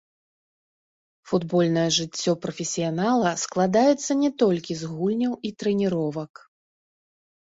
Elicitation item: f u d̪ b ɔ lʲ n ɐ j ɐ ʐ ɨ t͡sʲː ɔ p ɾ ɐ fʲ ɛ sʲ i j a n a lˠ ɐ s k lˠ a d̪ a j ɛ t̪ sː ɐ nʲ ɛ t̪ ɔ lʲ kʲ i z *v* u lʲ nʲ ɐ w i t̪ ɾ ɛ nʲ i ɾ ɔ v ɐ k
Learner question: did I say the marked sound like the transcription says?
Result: no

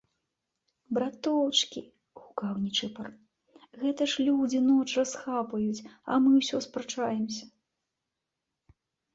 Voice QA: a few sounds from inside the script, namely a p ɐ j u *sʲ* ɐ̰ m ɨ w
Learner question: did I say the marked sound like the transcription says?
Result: no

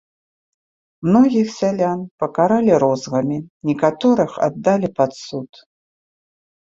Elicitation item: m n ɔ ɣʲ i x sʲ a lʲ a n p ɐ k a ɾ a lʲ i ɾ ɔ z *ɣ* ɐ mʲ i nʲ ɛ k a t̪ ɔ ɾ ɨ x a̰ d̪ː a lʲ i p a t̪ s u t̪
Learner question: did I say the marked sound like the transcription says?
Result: yes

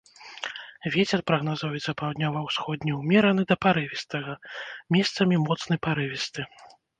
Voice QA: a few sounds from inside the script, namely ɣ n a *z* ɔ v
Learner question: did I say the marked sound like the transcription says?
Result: yes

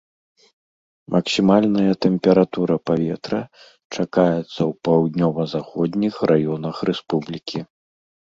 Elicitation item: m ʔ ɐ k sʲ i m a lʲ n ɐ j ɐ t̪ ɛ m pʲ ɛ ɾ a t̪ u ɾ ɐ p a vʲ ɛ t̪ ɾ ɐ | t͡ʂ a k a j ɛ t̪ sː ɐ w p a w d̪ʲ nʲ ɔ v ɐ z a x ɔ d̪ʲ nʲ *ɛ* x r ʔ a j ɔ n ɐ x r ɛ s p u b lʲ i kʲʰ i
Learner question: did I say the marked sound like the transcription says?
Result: no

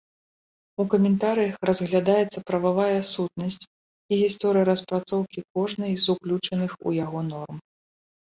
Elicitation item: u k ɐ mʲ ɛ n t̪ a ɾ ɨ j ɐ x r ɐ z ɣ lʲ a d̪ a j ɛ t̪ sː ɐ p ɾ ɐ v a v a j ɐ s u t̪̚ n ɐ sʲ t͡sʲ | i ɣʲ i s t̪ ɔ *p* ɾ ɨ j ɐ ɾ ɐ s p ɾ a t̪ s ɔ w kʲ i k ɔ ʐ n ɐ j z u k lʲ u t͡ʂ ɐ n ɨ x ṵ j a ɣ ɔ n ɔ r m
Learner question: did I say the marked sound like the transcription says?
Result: no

